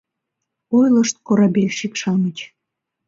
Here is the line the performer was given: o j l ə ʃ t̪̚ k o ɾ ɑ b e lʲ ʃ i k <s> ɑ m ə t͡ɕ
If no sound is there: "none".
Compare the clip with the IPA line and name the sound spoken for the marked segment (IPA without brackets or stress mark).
ʃ